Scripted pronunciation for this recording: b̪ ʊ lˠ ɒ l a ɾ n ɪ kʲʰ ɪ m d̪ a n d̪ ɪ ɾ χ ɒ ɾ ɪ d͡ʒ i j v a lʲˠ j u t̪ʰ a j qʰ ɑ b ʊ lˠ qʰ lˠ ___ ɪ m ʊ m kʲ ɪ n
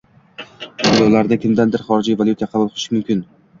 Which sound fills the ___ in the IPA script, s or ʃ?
ʃ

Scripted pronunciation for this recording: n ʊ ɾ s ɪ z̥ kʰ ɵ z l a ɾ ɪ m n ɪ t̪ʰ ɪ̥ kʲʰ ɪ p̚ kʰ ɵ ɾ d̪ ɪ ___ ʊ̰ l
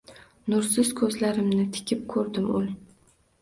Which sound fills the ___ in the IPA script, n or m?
m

